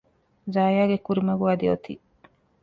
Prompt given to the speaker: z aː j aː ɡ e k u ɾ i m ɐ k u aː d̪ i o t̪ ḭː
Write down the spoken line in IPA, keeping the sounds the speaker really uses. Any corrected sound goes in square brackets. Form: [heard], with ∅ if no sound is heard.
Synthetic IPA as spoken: z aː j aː ɡ e k u ɾ i m ɐ [ɡ] u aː d̪ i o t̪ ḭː